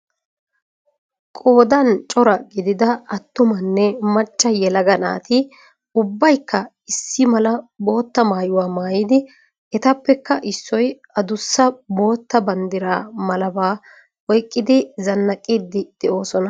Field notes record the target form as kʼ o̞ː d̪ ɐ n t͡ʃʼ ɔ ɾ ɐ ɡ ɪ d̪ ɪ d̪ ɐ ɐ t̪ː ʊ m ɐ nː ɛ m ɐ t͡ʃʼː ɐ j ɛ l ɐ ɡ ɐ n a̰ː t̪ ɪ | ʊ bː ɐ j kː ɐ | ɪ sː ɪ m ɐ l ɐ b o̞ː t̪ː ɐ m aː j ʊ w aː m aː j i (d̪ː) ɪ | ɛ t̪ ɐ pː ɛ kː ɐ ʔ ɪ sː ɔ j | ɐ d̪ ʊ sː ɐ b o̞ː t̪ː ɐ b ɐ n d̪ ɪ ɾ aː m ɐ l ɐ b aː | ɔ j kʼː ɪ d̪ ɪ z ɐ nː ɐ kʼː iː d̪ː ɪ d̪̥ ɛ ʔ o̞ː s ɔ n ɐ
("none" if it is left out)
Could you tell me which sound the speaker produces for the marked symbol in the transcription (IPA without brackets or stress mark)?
d̪